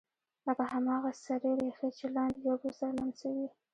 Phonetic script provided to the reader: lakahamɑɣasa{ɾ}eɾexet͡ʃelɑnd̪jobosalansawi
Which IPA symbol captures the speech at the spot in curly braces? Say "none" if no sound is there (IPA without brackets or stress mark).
ɾ